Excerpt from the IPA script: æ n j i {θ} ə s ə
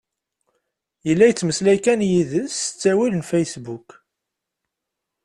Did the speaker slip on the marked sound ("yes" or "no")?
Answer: yes